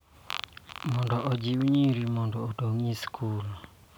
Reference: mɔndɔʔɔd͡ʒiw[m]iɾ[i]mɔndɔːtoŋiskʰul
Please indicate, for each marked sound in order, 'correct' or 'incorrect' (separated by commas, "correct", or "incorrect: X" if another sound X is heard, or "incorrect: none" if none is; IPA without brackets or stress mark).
incorrect: ɲ, correct